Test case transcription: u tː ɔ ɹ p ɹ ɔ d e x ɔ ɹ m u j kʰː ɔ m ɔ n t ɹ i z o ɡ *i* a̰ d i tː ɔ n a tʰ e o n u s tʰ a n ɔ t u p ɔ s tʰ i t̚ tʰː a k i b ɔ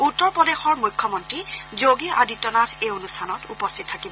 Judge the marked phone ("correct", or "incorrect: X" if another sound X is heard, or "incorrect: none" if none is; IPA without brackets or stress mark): correct